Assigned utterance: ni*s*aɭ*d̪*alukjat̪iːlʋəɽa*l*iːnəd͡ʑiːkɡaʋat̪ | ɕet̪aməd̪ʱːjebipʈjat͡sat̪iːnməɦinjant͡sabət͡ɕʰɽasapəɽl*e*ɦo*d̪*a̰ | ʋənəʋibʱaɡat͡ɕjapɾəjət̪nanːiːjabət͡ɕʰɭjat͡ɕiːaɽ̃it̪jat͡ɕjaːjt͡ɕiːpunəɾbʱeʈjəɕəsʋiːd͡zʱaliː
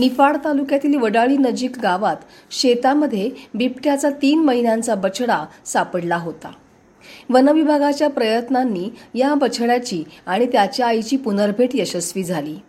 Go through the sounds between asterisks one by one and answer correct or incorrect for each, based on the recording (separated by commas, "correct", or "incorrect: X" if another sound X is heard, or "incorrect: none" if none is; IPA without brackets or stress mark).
incorrect: f, incorrect: t̪, incorrect: ɭ, incorrect: a, incorrect: t̪